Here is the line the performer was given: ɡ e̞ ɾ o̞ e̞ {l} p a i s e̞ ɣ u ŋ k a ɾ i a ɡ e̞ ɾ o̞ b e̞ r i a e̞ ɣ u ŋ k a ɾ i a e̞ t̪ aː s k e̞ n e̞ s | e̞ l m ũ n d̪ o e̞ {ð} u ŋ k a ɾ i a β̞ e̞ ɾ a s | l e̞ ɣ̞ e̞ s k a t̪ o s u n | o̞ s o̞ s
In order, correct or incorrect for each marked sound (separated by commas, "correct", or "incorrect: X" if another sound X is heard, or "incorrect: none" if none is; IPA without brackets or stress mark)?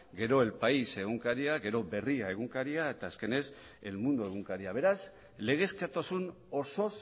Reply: correct, incorrect: ɣ